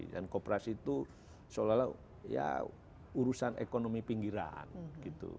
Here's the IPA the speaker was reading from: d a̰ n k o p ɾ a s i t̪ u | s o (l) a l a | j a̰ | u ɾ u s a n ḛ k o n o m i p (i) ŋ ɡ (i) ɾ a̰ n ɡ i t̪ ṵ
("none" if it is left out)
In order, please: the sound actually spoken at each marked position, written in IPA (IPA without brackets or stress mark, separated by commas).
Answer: l, i, i